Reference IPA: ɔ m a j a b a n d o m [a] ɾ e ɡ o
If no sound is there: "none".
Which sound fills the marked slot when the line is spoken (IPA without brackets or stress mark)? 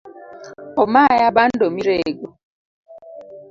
i